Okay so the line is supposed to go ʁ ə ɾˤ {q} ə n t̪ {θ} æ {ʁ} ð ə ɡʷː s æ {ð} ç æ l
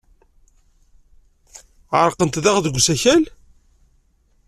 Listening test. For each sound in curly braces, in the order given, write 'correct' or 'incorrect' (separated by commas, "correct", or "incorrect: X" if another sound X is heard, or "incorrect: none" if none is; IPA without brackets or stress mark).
correct, incorrect: ð, correct, incorrect: none